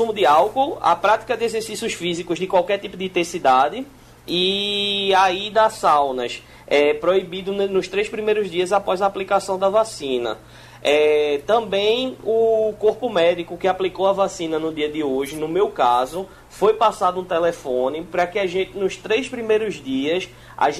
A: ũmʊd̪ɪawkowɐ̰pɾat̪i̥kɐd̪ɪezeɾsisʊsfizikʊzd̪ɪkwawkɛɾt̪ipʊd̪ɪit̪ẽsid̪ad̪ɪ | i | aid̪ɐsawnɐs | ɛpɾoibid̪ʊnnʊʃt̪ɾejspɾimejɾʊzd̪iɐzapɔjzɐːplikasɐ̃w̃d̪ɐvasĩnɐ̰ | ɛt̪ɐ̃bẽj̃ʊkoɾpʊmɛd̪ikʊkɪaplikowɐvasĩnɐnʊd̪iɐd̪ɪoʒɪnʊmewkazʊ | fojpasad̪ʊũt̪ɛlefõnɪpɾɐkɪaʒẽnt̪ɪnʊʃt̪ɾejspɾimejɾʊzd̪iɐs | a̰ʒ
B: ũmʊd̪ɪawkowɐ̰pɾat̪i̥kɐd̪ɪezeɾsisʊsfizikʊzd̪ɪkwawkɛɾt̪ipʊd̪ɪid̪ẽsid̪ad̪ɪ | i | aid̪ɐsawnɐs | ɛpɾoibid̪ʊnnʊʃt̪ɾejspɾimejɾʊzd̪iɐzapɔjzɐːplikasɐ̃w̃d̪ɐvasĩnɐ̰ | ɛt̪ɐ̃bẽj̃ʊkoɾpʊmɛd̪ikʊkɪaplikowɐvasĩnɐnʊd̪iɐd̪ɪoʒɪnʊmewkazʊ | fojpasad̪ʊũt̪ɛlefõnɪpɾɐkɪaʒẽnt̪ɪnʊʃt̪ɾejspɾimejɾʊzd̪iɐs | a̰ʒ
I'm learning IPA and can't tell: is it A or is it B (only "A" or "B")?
A